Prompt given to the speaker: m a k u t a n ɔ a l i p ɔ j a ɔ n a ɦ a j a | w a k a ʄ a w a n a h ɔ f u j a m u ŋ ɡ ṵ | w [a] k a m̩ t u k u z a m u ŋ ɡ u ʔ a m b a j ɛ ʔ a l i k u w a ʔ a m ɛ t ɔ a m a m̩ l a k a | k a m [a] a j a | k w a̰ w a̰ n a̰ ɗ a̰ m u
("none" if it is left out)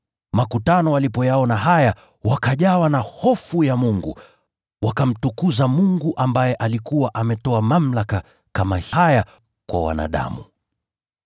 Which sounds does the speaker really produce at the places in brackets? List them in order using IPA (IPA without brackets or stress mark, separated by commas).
a, a